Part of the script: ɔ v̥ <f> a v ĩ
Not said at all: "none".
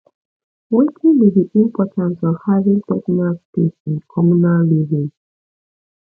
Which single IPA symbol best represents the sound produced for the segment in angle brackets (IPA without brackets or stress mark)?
h